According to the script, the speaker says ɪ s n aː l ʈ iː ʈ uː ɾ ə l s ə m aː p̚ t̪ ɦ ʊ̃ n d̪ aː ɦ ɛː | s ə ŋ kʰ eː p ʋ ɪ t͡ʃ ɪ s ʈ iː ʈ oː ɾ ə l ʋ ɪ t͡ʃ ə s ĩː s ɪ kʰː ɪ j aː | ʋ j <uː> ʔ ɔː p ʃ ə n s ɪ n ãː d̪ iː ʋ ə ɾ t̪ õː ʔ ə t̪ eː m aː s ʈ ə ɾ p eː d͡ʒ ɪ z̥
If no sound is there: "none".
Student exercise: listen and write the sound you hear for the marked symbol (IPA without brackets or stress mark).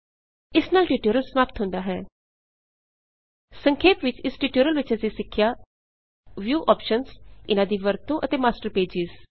uː